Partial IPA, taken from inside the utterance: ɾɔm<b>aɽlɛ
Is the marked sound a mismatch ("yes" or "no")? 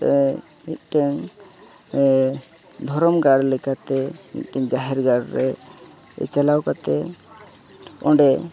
yes